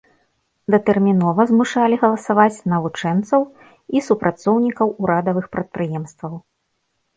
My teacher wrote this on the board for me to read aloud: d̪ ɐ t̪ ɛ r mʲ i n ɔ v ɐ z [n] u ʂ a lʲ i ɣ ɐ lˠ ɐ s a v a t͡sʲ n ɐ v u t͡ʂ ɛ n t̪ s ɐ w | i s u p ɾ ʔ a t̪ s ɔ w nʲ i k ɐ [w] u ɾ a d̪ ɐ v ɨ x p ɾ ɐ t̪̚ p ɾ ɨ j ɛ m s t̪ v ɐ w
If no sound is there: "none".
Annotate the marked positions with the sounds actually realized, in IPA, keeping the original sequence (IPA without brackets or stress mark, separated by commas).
m, w